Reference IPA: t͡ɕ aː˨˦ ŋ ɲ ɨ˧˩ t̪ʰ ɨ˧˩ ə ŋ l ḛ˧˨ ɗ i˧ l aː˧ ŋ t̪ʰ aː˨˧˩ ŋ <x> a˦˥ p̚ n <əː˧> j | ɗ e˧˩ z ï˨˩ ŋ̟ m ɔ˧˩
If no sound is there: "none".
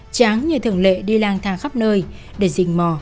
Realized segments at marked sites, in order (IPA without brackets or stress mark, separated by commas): x, əː˧